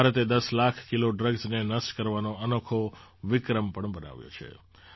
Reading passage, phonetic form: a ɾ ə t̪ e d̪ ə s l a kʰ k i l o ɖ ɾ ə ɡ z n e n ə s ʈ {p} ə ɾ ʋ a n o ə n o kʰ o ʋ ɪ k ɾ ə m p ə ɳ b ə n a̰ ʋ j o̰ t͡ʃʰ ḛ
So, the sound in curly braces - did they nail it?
no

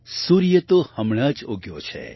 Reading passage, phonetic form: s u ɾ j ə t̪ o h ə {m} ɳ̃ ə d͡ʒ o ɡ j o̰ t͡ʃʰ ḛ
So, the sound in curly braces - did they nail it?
yes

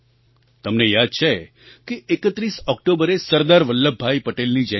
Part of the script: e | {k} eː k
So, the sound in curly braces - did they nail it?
yes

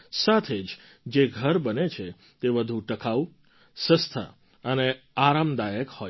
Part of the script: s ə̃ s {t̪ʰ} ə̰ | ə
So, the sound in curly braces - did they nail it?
yes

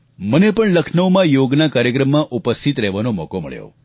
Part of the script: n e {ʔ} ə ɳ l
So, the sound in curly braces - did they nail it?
no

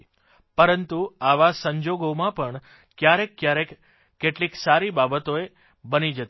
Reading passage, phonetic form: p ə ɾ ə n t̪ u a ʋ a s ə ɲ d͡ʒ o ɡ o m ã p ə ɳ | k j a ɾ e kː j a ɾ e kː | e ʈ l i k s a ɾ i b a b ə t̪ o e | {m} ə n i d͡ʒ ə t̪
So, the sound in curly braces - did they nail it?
no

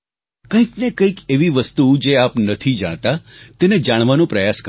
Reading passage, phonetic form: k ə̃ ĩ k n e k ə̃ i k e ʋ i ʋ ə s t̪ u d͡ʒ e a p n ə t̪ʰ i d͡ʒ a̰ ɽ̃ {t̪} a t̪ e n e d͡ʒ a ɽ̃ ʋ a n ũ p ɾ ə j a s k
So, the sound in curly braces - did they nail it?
yes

